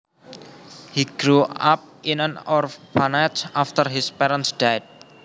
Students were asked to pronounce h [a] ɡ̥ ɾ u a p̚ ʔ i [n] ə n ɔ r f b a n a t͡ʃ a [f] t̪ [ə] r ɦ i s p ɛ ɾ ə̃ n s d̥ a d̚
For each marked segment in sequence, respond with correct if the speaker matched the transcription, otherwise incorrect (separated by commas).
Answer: incorrect, correct, correct, correct